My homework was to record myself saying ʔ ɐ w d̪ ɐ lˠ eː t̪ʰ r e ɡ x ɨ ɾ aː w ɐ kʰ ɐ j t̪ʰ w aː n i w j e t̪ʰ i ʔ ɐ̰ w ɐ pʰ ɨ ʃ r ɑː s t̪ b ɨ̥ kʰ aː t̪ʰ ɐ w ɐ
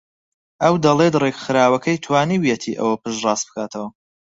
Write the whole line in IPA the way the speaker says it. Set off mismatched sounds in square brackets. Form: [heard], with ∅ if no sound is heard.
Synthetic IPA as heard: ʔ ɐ w d̪ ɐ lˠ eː [t̪] r e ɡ x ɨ ɾ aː w ɐ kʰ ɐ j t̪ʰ w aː n i w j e t̪ʰ i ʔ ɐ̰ w ɐ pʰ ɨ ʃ r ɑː s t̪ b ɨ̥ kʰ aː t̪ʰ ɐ w ɐ